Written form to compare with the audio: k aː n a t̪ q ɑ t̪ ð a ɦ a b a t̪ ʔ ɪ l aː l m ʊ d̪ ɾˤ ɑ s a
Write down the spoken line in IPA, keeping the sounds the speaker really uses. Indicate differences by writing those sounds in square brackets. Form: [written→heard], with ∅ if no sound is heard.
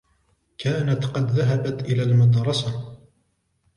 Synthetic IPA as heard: k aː n a t̪ q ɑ [t̪→d̪] ð a ɦ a b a t̪ ʔ ɪ l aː l m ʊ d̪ ɾˤ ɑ s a